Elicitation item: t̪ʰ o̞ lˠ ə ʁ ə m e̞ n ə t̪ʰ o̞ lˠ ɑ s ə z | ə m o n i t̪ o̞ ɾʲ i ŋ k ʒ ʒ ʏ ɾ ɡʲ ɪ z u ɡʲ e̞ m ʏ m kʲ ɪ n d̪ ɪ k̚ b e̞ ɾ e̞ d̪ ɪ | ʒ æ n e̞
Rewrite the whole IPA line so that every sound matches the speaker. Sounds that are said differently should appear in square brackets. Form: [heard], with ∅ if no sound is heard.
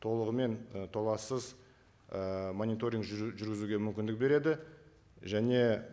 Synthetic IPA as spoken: t̪ʰ o̞ lˠ ə ʁ ə m e̞ n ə t̪ʰ o̞ lˠ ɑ s ə z | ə m o n i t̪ o̞ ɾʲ i ŋ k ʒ ʒ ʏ ɾ ɡʲ ɪ z u ɡʲ e̞ m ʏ m kʲ ɪ n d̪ ɪ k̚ b e̞ ɾ e̞ d̪ ɪ | ʒ æ n e̞